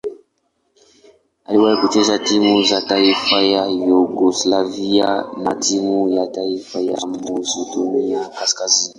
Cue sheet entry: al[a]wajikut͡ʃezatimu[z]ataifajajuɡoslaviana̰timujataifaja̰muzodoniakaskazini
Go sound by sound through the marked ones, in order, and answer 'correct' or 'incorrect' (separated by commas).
incorrect, correct